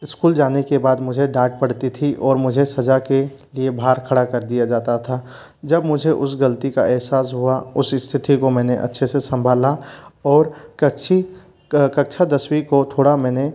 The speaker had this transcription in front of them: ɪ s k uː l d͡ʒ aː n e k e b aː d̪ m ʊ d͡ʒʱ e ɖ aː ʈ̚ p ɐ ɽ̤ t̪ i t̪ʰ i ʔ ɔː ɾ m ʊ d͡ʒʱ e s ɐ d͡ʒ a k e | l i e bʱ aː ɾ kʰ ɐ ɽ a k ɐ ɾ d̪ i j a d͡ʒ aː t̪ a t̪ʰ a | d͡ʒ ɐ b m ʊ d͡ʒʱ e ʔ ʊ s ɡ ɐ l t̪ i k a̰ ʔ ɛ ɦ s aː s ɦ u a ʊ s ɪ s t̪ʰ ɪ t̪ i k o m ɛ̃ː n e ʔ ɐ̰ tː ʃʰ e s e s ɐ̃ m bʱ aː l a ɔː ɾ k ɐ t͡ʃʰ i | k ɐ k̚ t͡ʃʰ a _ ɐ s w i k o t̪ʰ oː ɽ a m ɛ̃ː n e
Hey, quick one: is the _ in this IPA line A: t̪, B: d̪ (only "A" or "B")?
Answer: B